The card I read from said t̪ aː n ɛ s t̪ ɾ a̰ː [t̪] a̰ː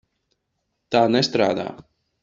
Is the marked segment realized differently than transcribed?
yes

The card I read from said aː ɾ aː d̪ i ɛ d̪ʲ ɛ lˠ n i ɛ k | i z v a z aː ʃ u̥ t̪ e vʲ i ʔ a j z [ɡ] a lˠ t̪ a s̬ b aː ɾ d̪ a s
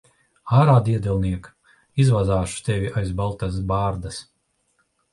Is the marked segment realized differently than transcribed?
yes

